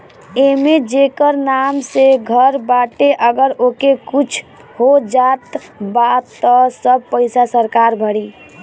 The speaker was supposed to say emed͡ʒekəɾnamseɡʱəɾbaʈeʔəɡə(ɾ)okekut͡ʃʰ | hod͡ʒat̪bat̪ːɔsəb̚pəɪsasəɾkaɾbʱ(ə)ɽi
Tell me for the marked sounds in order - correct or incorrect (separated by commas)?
correct, correct